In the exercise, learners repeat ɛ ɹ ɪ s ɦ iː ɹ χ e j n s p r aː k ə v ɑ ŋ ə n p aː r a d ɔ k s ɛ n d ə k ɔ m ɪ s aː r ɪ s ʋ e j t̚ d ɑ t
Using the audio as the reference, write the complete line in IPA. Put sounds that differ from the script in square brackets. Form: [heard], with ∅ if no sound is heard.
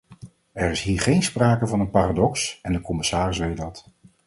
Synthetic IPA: ɛ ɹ ɪ s ɦ iː ɹ χ e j n s p r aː k ə v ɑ [n] ə n p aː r a d ɔ k s ɛ n d ə k ɔ m ɪ s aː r ɪ s ʋ e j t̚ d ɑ t